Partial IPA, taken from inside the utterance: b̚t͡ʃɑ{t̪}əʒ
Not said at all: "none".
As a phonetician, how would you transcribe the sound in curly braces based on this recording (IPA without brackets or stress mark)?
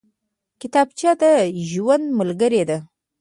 d̪